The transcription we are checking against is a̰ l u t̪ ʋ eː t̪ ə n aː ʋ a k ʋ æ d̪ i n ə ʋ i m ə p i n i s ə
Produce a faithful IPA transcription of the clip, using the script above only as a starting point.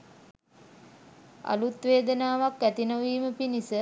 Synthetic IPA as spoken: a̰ l u t̪ ʋ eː d̪ ə n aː ʋ a k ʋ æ t̪ i n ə ʋ iː m ə p i n i s ə